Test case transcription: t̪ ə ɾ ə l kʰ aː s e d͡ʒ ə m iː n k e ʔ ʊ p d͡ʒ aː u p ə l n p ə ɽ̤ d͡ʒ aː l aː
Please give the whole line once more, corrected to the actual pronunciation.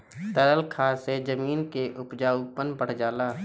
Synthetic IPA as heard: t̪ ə ɾ ə l kʰ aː s e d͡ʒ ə m iː n k e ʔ ʊ p d͡ʒ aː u p ə n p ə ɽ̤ d͡ʒ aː l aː